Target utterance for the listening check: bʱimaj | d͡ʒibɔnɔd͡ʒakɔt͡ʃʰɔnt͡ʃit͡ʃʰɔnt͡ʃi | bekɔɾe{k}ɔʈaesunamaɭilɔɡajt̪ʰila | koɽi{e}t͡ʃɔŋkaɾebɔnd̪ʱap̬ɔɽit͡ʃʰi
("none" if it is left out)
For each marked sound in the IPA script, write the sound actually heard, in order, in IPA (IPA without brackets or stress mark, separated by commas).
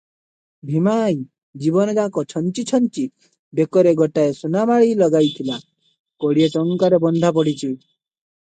ɡ, e